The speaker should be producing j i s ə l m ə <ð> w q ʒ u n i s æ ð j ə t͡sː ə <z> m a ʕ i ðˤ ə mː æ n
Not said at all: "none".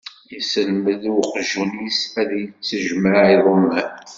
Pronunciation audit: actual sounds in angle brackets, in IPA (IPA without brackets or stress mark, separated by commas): ð, ʒ